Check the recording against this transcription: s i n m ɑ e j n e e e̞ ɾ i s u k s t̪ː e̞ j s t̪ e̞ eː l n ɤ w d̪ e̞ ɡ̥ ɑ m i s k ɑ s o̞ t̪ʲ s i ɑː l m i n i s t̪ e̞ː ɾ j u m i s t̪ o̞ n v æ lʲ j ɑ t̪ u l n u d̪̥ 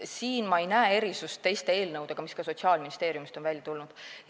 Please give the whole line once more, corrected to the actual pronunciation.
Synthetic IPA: s iː n m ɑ e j n æ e e̞ ɾ i s u s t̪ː e̞ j s t̪ e̞ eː l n ɤ w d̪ e̞ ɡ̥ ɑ m i s k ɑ s o̞ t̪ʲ s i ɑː l m i n i s t̪ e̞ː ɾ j u m i s t̪ o̞ n v æ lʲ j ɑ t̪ u l n u d̪̥